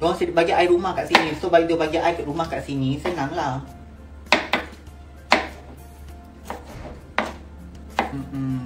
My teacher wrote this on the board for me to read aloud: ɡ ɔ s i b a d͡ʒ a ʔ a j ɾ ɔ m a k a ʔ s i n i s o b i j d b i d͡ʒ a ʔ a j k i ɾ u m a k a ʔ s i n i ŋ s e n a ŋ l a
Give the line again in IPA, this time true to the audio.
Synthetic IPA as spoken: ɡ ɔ s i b a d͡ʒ a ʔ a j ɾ u m a k a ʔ s i n i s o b a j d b a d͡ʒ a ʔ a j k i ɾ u m a k a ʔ s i n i s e n a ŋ l a